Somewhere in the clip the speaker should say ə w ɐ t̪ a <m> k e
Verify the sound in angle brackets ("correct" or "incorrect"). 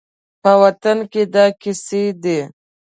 incorrect